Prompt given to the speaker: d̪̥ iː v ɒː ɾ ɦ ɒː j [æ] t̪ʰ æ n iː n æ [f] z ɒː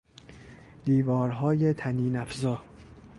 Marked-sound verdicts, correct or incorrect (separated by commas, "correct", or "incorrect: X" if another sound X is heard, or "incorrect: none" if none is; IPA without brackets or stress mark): incorrect: e, correct